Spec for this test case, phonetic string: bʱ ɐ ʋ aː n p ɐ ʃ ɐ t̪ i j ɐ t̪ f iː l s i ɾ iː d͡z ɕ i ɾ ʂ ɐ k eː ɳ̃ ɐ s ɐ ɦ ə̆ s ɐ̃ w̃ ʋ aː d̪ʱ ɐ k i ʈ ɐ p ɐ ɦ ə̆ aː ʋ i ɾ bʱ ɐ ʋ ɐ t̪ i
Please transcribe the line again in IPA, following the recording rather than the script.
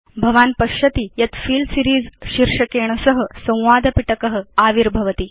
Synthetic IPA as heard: bʱ ɐ ʋ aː n p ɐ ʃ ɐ t̪ i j ɐ t̪ f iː l s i ɾ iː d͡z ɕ i ɾ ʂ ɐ k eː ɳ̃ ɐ s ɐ ɦ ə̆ s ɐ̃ w̃ ʋ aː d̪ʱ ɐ p i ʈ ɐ k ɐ ɦ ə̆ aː ʋ i ɾ bʱ ɐ ʋ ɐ t̪ i